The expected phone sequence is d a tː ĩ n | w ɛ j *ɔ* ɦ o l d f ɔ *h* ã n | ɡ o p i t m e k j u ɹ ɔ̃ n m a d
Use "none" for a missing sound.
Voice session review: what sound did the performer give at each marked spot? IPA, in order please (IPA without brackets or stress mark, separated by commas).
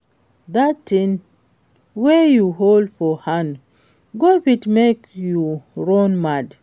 u, h